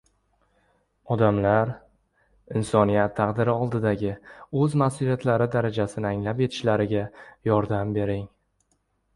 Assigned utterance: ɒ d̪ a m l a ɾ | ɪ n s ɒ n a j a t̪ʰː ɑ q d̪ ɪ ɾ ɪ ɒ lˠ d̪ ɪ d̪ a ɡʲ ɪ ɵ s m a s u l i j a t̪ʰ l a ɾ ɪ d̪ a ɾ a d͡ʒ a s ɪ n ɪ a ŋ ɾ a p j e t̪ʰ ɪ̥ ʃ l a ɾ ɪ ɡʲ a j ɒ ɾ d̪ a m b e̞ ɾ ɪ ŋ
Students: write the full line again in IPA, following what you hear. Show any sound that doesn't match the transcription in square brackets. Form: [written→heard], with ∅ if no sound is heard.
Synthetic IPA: ɒ d̪ a m l a ɾ | ɪ n s ɒ n [a→i] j a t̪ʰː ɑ q d̪ ɪ ɾ ɪ ɒ lˠ d̪ ɪ d̪ a ɡʲ ɪ ɵ [s→z] m a s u l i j a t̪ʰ l a ɾ ɪ d̪ a ɾ a d͡ʒ a s ɪ n ɪ a ŋ [ɾ→l] a p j e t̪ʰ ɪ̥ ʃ l a ɾ ɪ ɡʲ a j ɒ ɾ d̪ a m b e̞ ɾ ɪ ŋ